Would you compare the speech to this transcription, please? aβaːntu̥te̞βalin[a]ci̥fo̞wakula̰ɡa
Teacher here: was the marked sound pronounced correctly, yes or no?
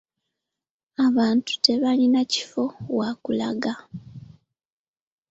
yes